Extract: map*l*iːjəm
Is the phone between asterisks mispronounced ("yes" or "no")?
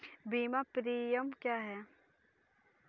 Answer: yes